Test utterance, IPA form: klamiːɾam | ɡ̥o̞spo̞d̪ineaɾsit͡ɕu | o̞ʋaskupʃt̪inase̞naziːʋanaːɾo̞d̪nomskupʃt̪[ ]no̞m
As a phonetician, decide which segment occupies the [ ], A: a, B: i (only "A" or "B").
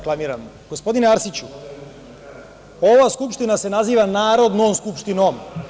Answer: B